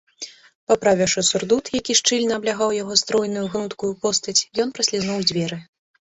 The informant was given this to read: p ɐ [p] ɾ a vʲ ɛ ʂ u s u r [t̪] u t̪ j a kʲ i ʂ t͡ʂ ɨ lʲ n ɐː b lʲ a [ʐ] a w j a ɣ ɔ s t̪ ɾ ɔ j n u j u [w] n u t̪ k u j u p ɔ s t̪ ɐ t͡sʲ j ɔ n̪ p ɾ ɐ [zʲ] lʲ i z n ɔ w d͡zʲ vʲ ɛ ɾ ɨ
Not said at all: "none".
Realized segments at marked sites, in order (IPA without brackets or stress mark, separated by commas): p, d̪, ɣ, ɣ, sʲ